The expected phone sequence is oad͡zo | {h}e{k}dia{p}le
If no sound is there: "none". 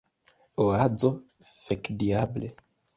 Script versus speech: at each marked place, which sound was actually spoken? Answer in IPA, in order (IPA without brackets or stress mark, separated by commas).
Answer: f, k, b